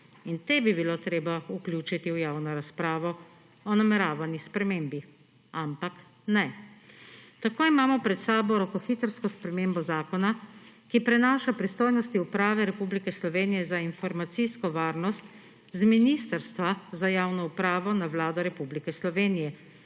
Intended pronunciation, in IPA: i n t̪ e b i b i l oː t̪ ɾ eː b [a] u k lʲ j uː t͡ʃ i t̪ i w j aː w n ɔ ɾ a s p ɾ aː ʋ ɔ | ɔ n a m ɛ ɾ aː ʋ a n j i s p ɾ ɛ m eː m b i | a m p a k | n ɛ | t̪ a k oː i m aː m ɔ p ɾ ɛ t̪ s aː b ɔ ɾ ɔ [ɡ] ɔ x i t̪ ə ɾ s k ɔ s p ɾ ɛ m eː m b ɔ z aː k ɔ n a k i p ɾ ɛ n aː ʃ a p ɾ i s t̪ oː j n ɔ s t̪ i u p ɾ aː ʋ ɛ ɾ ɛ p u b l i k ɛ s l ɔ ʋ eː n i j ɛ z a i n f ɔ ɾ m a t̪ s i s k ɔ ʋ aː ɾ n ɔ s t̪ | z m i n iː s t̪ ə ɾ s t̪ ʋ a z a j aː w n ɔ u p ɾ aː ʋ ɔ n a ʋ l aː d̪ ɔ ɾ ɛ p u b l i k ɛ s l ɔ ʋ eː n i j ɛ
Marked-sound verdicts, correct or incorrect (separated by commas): correct, incorrect